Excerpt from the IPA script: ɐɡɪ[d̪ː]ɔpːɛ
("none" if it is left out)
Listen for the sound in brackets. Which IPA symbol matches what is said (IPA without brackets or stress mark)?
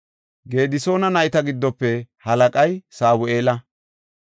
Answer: d̪ː